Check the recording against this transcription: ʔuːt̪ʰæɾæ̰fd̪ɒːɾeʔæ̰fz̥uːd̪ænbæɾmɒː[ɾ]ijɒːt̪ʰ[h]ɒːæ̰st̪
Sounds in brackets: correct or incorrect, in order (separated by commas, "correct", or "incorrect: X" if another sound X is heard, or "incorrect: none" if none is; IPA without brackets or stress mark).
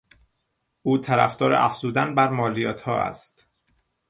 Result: incorrect: l, correct